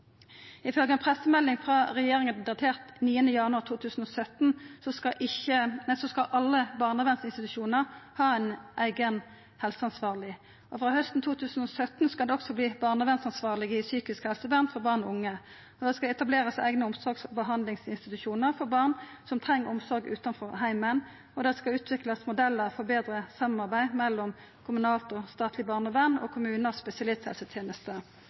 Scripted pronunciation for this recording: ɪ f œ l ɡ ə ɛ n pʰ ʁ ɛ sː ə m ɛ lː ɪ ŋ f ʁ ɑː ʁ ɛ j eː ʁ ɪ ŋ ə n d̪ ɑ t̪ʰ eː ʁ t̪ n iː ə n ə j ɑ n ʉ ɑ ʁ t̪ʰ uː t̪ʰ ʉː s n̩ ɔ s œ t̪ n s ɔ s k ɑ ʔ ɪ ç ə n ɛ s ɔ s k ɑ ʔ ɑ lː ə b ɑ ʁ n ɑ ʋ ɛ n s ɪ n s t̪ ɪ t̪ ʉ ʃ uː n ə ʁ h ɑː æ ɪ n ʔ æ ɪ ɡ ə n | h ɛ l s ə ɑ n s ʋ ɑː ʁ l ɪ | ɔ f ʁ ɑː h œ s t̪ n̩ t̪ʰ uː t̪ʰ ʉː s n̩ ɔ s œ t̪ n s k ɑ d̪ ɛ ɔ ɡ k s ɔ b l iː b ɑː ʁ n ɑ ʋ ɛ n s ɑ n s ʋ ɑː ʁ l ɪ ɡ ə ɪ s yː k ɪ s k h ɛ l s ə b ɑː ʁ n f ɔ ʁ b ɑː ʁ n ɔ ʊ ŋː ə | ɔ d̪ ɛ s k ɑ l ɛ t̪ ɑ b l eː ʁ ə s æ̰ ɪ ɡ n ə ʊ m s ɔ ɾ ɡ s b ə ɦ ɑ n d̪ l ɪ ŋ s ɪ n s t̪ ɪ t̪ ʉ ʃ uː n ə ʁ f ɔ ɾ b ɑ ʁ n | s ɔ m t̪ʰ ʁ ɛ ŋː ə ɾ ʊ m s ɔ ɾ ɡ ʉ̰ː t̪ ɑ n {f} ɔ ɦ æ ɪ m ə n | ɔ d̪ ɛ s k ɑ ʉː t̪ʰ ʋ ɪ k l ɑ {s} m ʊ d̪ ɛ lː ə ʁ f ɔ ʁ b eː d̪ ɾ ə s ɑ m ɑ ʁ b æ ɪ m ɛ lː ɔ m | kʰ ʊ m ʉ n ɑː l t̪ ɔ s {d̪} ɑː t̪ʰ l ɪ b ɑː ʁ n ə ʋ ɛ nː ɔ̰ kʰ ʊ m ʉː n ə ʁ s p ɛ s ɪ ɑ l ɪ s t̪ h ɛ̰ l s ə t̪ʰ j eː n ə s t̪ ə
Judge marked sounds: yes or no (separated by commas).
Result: yes, yes, no